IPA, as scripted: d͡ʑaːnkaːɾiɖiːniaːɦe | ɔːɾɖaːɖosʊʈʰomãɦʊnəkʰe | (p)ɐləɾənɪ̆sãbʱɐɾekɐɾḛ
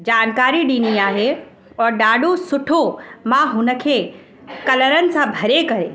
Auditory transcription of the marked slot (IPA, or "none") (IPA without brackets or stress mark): k